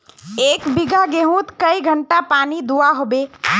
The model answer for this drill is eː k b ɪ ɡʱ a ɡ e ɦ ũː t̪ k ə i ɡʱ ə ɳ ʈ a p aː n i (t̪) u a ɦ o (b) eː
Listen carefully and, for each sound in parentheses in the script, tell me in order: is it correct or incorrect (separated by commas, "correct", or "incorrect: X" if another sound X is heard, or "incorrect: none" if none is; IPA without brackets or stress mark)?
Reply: incorrect: d̪, correct